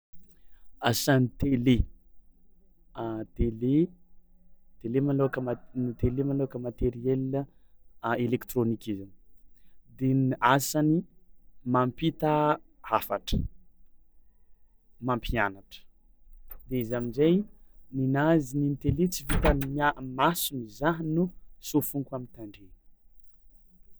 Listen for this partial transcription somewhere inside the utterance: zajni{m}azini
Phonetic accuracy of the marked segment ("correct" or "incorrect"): incorrect